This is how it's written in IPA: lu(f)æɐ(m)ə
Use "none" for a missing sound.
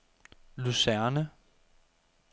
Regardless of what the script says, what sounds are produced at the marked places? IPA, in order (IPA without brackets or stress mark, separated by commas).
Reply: s, n